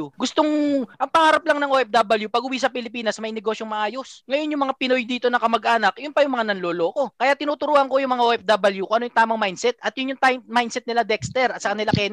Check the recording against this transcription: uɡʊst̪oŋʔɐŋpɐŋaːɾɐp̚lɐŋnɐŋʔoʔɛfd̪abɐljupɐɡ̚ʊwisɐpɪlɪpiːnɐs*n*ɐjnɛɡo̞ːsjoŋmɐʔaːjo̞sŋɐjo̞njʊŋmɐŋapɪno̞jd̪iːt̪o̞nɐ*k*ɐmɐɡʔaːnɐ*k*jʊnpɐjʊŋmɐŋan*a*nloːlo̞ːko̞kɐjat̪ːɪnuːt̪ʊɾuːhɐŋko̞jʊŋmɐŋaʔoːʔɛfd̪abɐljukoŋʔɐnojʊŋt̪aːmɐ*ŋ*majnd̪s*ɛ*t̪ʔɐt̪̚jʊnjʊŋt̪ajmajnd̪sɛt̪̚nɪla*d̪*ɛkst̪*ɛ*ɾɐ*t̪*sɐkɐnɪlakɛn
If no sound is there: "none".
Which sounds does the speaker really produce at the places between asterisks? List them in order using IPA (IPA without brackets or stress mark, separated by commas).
m, k, k, ɐ, ŋ, ɛ, d̪, ɛ, t̪